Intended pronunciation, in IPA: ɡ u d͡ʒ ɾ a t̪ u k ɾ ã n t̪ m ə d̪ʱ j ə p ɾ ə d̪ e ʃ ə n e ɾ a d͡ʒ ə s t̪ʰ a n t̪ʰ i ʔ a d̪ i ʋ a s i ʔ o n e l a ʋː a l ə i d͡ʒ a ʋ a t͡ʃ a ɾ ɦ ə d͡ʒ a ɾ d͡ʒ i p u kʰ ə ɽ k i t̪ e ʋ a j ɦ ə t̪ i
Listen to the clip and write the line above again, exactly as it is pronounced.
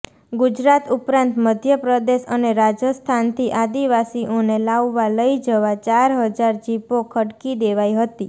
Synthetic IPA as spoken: ɡ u d͡ʒ ɾ a t̪ u p ɾ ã n t̪ m ə d̪ʱ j ə p ɾ ə d̪ e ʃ ə n e ɾ a d͡ʒ ə s t̪ʰ a n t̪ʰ i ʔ a d̪ i ʋ a s i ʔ o n e l a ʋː a l ə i d͡ʒ ə ʋ a t͡ʃ a ɾ ɦ ə d͡ʒ a ɾ d͡ʒ i p o kʰ ə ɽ k i d̪ e ʋ a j ɦ ə t̪ i